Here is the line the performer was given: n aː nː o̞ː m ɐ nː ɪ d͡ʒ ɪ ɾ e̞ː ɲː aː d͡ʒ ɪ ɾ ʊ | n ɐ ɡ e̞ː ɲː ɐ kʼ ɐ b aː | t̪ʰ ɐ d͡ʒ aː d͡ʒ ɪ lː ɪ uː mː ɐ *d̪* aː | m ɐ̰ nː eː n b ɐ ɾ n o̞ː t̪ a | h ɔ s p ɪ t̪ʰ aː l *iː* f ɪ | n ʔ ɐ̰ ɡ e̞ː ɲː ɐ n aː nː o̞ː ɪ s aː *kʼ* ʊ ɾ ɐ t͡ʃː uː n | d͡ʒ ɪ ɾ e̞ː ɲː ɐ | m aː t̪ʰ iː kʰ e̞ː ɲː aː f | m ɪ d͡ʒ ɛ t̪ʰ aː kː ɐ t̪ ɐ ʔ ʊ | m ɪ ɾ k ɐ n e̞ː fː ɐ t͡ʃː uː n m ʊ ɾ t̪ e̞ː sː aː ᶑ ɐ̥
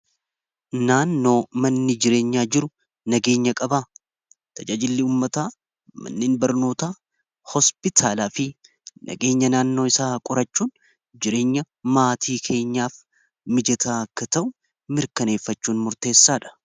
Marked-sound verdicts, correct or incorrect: incorrect: t̪, incorrect: aː, correct

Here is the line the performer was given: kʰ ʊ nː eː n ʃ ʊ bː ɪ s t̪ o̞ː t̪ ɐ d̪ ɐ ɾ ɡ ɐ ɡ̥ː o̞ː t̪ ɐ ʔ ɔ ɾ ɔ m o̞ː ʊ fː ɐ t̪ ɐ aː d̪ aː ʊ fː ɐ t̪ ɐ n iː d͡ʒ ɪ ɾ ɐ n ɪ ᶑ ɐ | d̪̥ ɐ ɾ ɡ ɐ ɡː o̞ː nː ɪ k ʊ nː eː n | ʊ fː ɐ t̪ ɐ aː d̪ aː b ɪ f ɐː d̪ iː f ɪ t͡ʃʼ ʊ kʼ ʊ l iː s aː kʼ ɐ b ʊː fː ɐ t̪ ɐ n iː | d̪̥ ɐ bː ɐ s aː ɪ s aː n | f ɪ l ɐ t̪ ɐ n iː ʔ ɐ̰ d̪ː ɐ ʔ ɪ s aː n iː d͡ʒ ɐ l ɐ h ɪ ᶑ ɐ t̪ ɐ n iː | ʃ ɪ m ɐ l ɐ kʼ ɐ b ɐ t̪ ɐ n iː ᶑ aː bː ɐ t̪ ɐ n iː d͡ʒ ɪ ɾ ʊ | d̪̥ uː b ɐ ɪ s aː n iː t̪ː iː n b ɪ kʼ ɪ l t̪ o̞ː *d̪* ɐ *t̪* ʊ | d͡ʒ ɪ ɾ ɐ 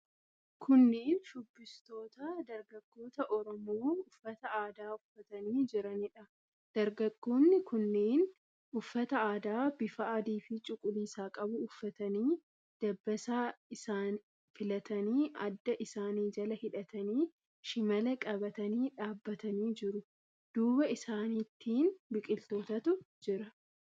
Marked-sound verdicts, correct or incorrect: incorrect: t̪, correct

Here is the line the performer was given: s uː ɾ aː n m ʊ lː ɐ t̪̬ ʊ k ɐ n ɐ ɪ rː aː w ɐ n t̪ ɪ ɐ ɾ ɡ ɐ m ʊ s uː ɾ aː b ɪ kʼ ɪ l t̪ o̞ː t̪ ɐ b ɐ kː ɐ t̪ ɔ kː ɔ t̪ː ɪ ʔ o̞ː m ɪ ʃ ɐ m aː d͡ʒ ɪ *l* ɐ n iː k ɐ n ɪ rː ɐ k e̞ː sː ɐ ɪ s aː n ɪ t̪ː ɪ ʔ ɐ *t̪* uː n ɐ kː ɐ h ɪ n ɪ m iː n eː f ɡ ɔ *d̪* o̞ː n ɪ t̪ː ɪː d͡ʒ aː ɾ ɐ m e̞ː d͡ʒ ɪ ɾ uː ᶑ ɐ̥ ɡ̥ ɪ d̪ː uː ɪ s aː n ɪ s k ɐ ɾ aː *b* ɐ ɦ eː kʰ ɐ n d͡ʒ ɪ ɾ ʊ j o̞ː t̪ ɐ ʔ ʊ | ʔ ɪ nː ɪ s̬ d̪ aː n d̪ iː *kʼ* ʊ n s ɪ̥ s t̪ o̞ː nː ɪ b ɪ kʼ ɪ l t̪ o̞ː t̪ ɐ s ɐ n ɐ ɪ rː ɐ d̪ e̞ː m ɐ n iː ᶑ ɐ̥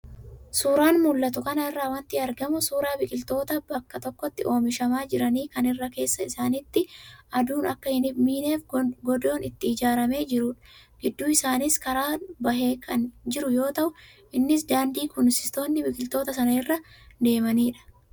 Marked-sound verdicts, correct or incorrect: incorrect: ɾ, incorrect: d̪, correct, correct, incorrect: k

